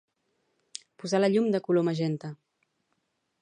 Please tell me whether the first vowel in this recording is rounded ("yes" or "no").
yes